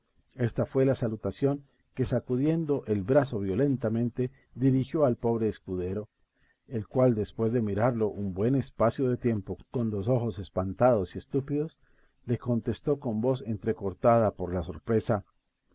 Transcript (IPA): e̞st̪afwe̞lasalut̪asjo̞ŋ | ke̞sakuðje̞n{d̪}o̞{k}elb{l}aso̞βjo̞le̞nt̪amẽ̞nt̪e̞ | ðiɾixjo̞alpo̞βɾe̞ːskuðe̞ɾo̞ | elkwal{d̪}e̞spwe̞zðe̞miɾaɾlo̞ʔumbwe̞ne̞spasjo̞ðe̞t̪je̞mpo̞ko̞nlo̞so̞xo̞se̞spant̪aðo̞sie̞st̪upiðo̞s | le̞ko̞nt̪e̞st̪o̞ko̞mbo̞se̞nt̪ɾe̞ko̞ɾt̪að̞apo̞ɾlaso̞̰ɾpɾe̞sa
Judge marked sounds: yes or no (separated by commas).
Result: yes, no, no, yes